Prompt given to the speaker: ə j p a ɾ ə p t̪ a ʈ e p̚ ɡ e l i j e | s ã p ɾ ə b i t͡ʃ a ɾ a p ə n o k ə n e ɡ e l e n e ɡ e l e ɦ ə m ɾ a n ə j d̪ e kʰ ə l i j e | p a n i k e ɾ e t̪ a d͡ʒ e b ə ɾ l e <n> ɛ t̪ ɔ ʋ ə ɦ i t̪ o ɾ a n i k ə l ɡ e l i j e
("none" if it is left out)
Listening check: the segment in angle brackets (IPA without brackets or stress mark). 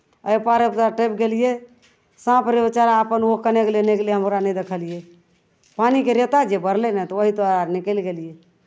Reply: n